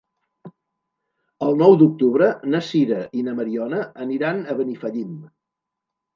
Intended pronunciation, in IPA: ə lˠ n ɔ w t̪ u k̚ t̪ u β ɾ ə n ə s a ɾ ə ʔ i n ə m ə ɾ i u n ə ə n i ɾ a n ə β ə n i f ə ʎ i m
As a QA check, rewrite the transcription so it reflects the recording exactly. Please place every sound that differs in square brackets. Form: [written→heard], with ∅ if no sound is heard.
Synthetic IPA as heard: ə lˠ n ɔ w [t̪→d̪] u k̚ t̪ u β ɾ ə n ə s [a→i] ɾ ə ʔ i n ə m ə ɾ i [u→ɔ] n ə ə n i ɾ a n ə β ə n i f ə ʎ i m

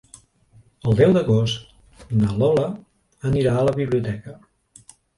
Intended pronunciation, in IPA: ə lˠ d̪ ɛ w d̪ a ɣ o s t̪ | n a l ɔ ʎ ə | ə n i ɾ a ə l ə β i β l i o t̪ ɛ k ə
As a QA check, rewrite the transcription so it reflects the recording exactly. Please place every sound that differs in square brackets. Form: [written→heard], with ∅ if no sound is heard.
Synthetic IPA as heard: ə lˠ d̪ ɛ w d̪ [a→ə] ɣ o s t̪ | n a l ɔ [ʎ→l] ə | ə n i ɾ a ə l ə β i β l i [o→u] t̪ ɛ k ə

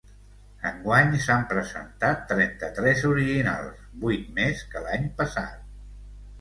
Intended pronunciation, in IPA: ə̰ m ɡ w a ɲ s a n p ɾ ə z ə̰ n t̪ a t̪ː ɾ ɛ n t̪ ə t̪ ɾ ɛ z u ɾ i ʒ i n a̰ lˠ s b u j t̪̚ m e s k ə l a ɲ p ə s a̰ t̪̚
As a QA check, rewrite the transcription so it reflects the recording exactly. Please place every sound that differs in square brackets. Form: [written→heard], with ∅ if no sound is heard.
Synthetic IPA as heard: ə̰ [m→ŋ] ɡ w a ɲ s a [n→m] p ɾ ə z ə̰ n t̪ a t̪ː ɾ ɛ n t̪ ə t̪ ɾ ɛ z u ɾ i ʒ i n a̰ lˠ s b u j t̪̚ m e s k ə l a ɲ p ə s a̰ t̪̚

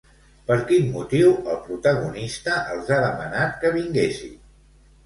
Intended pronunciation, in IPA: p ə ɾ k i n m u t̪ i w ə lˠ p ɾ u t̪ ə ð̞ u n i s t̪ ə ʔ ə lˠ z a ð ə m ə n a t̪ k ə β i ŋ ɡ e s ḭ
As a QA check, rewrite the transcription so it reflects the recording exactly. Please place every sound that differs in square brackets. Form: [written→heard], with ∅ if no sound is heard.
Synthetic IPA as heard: p ə ɾ k i n m u t̪ i w ə lˠ p ɾ u t̪ ə [ð̞→ɣ̞] u n i s t̪ ə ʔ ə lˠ z a ð ə m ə n a t̪ k ə β i ŋ ɡ e s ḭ

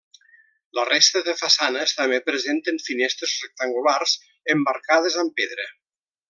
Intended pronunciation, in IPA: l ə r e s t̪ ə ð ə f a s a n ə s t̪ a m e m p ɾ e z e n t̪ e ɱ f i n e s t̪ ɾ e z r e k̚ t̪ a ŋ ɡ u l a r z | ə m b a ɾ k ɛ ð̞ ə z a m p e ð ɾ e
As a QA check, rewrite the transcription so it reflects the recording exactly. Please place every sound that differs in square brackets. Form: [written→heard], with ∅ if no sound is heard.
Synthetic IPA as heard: l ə r e s t̪ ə ð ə f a s a n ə s t̪ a m e [m→∅] p ɾ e z e n t̪ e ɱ f i n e s t̪ ɾ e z r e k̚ t̪ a ŋ ɡ u l a r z | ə m b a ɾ k [ɛ→a] ð̞ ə z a m p e ð ɾ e

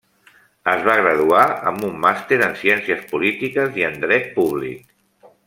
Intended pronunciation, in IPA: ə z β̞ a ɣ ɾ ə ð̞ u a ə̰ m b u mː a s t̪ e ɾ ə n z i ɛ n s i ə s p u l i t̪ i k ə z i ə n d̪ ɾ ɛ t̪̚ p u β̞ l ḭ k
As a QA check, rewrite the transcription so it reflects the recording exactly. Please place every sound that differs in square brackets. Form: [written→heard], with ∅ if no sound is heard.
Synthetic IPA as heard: ə z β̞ a ɣ ɾ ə ð̞ u a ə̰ m b u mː a s t̪ e ɾ ə n [z→s] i ɛ n s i ə s p u l i t̪ i k ə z i ə n d̪ ɾ ɛ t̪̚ p u β̞ l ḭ k

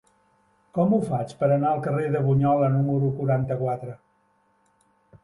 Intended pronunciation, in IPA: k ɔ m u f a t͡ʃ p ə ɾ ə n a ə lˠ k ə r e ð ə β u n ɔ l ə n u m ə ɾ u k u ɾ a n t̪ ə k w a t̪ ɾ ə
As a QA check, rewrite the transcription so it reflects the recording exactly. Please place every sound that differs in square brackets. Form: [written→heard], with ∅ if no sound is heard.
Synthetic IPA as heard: k ɔ m u f a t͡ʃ p ə ɾ ə n a ə lˠ k ə r e ð ə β u [n→ɲ] ɔ l ə n u m ə ɾ u k u ɾ a n t̪ ə k w a t̪ ɾ ə

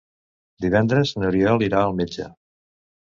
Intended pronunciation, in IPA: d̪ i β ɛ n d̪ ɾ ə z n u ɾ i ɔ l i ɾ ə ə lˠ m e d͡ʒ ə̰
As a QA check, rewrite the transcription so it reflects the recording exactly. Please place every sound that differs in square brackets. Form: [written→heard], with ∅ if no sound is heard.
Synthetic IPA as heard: d̪ i β ɛ n d̪ ɾ ə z n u ɾ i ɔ l i ɾ [ə→a] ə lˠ m e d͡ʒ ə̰

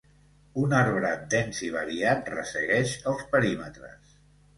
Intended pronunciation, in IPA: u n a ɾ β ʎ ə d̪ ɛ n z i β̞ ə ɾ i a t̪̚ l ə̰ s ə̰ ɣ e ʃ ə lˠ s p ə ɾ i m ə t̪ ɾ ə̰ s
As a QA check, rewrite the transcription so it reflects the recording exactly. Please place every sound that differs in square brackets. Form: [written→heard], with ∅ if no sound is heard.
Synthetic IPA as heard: u n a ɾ β [ʎ→ɾ] ə d̪ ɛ n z i β̞ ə ɾ i a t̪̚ [l→r] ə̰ s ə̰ ɣ [e→ɛ] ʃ ə lˠ s p ə ɾ i m ə t̪ ɾ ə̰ s

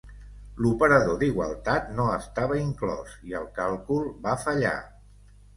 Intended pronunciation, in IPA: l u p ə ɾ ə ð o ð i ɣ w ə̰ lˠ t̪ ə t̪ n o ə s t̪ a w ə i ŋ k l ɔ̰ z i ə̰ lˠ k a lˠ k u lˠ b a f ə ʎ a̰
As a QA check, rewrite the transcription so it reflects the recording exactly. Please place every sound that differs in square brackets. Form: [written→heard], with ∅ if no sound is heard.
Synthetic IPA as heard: l u p ə ɾ ə ð o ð i ɣ w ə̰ lˠ t̪ [ə→a] t̪ n o ə s t̪ a [w→β] ə i ŋ k l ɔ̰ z i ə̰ lˠ k a lˠ k u lˠ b a f ə ʎ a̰

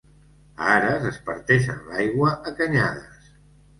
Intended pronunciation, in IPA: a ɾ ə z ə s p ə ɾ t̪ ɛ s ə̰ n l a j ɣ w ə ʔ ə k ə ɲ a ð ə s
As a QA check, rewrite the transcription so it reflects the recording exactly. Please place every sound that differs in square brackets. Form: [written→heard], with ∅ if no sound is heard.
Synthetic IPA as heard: a ɾ ə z ə s p ə ɾ t̪ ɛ [s→ʃ] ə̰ n l a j ɣ w ə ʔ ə k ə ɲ a ð ə s

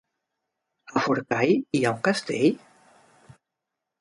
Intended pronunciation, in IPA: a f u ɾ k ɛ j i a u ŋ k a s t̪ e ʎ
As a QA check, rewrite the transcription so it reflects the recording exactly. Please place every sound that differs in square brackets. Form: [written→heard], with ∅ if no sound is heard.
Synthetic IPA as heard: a f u ɾ k [ɛ→a] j i a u ŋ k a s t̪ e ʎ

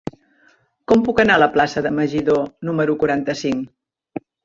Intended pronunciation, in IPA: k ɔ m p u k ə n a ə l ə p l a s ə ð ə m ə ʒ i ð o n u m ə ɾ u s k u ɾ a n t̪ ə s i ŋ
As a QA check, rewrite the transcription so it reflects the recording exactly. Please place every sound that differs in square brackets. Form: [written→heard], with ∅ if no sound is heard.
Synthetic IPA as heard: k ɔ m p u k ə n a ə l ə p l a s ə ð ə m ə ʒ i ð o n u m ə ɾ u [s→∅] k u ɾ a n t̪ ə s i ŋ

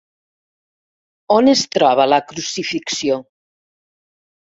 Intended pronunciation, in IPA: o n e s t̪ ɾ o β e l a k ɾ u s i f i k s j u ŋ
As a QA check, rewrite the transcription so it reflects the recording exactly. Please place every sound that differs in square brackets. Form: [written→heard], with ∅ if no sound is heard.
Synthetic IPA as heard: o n e s t̪ ɾ [o→ɔ] β [e→a] l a k ɾ u s i f i k s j [u→o] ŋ

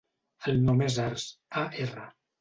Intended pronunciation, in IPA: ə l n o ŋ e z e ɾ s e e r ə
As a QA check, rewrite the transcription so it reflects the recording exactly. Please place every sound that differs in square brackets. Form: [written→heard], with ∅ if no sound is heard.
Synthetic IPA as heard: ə l n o [ŋ→m] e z [e→a] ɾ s [e→a] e r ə

